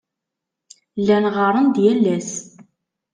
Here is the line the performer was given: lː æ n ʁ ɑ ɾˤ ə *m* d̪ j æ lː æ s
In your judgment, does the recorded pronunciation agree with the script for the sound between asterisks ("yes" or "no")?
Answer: no